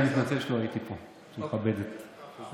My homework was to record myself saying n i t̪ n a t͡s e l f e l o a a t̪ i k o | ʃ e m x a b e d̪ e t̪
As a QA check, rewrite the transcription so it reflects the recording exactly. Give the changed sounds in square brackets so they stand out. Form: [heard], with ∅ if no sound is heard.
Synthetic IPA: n i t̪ n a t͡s e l [ʃ] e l o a [i] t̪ i [p] o | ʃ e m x a b e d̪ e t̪